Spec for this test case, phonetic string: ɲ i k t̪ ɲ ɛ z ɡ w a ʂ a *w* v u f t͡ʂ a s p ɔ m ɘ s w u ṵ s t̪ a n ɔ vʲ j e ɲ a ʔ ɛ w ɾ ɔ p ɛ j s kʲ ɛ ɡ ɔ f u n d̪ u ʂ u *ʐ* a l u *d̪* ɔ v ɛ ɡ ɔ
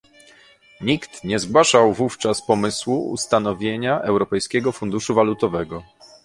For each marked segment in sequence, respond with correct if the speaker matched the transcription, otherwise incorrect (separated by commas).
correct, incorrect, incorrect